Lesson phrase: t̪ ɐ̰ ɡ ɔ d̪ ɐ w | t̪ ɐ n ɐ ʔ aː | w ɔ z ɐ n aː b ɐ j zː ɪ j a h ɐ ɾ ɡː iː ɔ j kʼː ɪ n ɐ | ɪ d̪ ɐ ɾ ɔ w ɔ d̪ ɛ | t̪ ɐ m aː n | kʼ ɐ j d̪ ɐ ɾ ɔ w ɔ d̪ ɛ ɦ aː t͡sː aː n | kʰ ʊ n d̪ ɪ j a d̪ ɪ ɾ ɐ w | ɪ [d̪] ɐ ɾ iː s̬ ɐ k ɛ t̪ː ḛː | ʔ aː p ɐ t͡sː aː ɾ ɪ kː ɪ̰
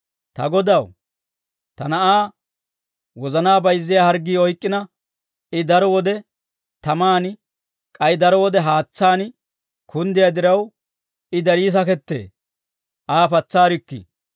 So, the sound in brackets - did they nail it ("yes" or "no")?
yes